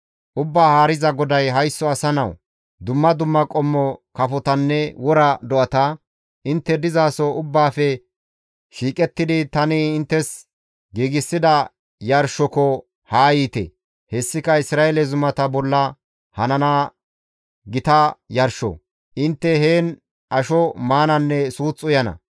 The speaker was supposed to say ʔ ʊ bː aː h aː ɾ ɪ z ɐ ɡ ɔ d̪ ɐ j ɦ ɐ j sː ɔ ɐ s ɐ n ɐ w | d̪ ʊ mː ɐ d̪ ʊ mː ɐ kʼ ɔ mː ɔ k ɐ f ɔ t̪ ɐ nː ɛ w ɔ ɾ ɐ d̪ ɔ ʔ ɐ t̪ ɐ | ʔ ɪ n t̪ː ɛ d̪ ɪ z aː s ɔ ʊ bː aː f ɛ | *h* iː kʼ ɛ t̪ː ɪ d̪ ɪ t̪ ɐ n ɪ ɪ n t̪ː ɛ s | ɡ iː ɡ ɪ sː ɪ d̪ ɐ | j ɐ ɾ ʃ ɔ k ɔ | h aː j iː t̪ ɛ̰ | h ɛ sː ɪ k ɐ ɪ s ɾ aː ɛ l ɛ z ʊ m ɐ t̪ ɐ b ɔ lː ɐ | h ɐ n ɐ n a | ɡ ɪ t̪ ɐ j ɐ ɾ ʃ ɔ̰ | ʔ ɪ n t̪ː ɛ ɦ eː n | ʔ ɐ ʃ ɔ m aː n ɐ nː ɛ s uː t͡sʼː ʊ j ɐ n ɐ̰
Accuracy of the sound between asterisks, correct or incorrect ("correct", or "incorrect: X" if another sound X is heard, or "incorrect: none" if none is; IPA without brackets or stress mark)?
incorrect: ʃ